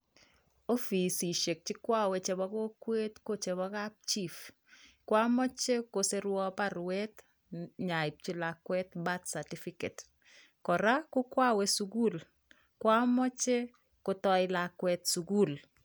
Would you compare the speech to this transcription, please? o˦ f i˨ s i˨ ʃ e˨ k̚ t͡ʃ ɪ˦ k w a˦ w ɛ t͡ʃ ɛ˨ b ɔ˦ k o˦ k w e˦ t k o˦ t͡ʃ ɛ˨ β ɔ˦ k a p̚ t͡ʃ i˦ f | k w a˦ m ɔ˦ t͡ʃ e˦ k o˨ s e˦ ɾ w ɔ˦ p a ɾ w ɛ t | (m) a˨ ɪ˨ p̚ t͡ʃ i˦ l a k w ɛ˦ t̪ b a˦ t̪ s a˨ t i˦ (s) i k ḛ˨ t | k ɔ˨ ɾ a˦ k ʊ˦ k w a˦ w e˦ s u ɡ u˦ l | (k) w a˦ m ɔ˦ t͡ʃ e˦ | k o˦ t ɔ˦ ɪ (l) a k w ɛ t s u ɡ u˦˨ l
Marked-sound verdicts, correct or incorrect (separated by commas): incorrect, incorrect, correct, correct